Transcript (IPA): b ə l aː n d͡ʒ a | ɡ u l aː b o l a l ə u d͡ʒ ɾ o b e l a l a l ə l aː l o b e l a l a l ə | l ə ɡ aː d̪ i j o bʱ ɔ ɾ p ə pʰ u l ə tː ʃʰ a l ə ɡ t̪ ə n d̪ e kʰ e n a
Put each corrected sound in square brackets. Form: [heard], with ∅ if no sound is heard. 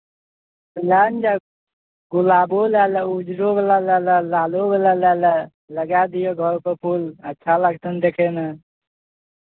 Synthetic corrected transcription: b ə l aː n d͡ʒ a | ɡ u l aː b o l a l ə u d͡ʒ ɾ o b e l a l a l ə l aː l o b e l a l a l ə | l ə ɡ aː d̪ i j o [ɡʱ] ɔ ɾ p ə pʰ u l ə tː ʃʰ a l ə ɡ t̪ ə n d̪ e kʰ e n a